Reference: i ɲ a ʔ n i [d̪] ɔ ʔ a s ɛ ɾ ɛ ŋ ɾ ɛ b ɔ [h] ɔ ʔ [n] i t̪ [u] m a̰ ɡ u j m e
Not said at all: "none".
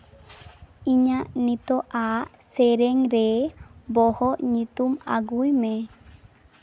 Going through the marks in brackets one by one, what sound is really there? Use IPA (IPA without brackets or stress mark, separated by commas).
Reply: t̪, h, ɲ, u